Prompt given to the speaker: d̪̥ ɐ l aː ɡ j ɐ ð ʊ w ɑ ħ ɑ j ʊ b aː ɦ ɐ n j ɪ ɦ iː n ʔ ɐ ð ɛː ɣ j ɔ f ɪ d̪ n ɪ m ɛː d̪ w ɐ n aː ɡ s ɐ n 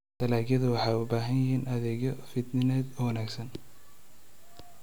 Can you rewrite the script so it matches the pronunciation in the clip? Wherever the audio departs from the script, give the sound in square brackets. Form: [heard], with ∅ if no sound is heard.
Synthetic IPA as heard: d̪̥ ɐ l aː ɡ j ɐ ð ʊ w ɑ ħ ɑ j ʊ b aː ɦ ɐ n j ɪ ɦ iː n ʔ ɐ ð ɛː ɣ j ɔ f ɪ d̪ n ɪ [n] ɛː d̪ w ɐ n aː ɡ s ɐ n

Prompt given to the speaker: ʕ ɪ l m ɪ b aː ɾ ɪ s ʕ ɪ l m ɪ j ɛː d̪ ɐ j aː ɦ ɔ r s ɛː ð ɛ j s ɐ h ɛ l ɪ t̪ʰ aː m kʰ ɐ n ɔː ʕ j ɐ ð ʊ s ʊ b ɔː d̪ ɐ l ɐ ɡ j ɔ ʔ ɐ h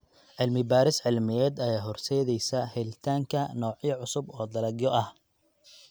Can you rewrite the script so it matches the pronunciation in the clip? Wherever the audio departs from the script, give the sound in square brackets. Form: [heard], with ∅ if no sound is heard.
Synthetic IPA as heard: ʕ ɪ l m ɪ b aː ɾ ɪ s ʕ ɪ l m ɪ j ɛː d̪ ɐ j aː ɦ ɔ r s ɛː ð ɛ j s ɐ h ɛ l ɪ t̪ʰ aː [ŋ] kʰ ɐ n ɔː ʕ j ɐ [ʕ] ʊ s ʊ b ɔː d̪ ɐ l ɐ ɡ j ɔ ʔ ɐ h

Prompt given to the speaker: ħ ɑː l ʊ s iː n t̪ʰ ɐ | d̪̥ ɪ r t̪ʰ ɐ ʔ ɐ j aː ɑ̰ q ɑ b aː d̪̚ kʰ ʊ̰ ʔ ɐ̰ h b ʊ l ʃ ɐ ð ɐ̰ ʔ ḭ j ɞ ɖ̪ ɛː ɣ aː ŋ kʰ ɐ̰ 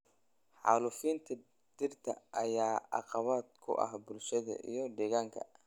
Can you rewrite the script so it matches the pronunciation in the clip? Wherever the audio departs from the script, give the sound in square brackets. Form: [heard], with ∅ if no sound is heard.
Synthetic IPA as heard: ħ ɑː l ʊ [f] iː n t̪ʰ ɐ | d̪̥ ɪ r t̪ʰ ɐ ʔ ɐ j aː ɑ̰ q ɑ [β] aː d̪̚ kʰ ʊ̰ ʔ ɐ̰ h b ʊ l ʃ ɐ ð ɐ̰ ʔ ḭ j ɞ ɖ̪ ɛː ɣ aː ŋ kʰ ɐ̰

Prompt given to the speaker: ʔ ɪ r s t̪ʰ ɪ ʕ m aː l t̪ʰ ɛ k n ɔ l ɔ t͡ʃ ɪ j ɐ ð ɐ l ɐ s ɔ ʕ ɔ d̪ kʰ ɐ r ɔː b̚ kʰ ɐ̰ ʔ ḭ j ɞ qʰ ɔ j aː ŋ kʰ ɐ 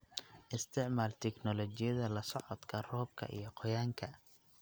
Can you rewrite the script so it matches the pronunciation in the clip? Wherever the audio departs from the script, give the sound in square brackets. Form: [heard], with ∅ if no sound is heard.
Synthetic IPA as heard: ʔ ɪ [∅] s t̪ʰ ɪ ʕ m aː l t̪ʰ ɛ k n ɔ l ɔ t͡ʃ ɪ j ɐ ð ɐ l ɐ s ɔ ʕ ɔ d̪ kʰ ɐ r ɔː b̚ kʰ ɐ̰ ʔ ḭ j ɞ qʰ ɔ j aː ŋ kʰ ɐ

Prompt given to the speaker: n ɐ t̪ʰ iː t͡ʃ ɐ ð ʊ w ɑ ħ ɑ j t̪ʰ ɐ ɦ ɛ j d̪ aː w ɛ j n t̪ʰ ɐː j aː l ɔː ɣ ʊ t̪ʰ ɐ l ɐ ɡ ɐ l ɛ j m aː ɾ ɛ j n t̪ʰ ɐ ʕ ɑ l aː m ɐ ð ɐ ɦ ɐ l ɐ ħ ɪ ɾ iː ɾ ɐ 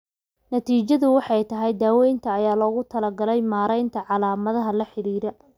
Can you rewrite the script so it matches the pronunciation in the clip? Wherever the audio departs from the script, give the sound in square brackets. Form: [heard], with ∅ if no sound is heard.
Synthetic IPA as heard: n ɐ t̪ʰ iː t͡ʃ ɐ ð ʊ w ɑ ħ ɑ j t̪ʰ ɐ ɦ ɛ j d̪ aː w ɛ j n t̪ʰ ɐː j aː l ɔː ɣ ʊ t̪ʰ ɐ l ɐ ɡ ɐ l ɛ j m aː ɾ ɛ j n t̪ʰ ɐ ʕ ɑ l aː m ɐ ð ɐ ɦ ɐ l ɐ ħ ɪ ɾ iː ɾ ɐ

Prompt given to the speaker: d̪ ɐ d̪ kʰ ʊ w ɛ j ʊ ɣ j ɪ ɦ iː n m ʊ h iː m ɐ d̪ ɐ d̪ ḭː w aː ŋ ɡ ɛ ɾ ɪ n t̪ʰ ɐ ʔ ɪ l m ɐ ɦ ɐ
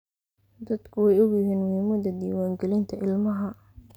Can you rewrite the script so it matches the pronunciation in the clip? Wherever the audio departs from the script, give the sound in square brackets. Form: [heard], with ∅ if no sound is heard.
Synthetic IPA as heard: d̪ ɐ d̪ kʰ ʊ w ɛ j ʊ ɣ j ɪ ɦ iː n m ʊ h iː m ɐ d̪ ɐ d̪ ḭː w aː ŋ ɡ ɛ [l] ɪ n t̪ʰ ɐ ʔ ɪ l m ɐ ɦ ɐ

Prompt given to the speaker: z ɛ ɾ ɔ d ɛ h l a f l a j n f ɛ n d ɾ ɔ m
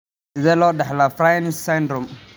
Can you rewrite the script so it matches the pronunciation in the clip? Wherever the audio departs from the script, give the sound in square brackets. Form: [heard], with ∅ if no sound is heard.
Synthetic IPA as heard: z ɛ [l] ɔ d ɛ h l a f [ɾ] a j n [s] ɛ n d ɾ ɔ m

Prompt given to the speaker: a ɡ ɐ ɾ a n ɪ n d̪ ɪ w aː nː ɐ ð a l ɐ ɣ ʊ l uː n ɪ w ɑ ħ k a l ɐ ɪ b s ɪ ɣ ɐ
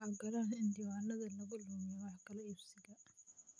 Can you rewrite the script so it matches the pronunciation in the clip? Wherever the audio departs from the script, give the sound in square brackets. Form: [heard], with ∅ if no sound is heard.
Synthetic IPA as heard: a ɡ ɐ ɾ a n ɪ n d̪ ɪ w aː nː ɐ ð [ɐ] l ɐ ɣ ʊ l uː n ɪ w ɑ ħ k [ɐ] l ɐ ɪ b s ɪ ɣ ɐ

